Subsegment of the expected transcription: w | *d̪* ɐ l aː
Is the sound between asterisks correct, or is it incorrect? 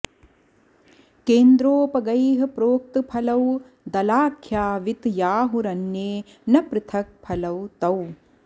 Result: correct